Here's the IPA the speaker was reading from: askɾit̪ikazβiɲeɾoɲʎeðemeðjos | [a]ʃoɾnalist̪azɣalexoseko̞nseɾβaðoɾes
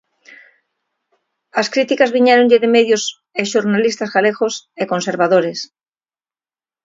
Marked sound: incorrect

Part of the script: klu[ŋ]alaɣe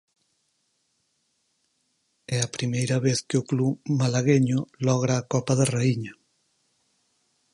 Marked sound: incorrect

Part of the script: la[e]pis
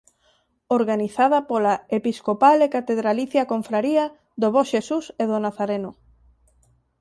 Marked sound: correct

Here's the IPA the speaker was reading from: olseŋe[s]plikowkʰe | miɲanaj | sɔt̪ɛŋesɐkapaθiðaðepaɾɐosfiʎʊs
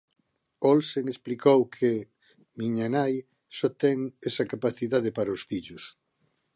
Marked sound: correct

